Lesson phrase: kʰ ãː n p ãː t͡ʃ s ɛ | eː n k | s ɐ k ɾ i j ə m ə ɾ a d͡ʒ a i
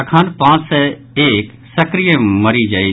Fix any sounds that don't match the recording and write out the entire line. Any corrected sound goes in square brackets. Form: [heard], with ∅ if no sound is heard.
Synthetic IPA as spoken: kʰ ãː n p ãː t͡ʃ s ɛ | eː [∅] k | s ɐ k ɾ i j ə m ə ɾ [i] d͡ʒ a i